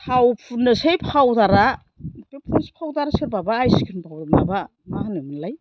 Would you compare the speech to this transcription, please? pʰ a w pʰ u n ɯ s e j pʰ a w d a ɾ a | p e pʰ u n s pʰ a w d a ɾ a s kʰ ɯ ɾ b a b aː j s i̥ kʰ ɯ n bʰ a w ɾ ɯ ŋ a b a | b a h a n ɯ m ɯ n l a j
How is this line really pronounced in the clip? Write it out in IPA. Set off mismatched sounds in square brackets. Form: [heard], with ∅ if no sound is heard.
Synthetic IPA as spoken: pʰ a w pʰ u n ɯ s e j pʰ a w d a ɾ a | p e pʰ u n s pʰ a w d a ɾ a s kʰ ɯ ɾ b a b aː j s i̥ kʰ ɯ n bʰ a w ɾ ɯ [m] a b a | [m] a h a n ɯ m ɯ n l a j